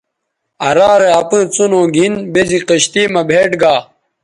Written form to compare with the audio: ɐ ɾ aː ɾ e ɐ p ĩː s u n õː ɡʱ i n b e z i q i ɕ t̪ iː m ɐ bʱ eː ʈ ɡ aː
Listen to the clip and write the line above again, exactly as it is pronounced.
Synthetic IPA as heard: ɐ ɾ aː ɾ e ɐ p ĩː t͡s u n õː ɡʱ i n b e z i q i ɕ t̪ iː m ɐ bʱ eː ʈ ɡ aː

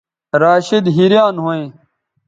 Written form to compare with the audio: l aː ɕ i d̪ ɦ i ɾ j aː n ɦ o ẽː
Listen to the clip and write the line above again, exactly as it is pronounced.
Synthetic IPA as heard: ɾ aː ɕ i d̪ ɦ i ɾ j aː n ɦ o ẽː

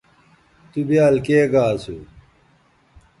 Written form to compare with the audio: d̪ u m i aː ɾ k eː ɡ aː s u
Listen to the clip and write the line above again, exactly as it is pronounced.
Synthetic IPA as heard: t̪ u b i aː l k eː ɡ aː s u

